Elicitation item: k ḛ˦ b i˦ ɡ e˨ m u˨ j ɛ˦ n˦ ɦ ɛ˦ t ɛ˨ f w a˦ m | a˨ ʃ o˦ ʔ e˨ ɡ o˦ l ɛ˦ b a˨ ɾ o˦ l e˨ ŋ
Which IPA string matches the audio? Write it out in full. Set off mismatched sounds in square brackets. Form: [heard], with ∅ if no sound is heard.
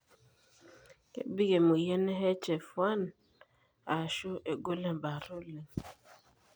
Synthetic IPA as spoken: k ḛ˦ b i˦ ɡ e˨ m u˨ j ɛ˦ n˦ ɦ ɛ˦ [t͡ʃ] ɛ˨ f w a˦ [n] | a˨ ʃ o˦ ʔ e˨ ɡ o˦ l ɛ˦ b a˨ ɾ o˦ l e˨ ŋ